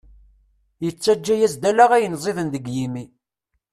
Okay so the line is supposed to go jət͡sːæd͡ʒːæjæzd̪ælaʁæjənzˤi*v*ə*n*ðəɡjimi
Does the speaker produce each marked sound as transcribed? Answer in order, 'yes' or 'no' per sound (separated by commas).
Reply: no, yes